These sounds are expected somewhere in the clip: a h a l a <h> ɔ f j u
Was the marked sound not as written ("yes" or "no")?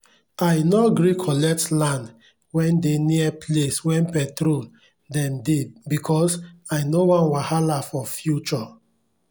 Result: yes